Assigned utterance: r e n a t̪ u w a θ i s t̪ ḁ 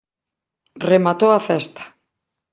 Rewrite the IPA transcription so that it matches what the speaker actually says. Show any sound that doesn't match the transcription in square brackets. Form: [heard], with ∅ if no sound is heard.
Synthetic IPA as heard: r e [m] a t̪ [o] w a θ [ɛ] s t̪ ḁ